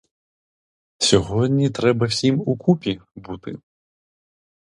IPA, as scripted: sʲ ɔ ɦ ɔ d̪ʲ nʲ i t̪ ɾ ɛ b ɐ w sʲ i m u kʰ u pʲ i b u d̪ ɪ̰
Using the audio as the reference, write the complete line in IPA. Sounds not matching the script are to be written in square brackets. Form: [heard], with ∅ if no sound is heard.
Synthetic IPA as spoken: sʲ ɔ ɦ ɔ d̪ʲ nʲ i t̪ ɾ ɛ b ɐ w sʲ i m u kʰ u pʲ i b u [t̪] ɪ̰

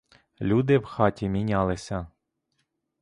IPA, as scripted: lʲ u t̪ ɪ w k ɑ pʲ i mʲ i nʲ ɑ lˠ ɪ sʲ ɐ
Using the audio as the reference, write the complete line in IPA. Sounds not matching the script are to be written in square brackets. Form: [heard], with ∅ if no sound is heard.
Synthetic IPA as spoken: lʲ u [d̪] ɪ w [x] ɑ [tʲ] i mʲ i nʲ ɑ lˠ ɪ sʲ ɐ

